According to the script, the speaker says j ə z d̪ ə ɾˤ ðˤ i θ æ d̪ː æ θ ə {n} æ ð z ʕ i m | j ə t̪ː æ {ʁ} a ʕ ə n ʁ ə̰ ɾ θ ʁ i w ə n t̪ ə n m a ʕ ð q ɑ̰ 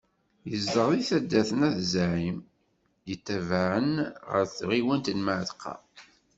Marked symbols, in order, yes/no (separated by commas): yes, no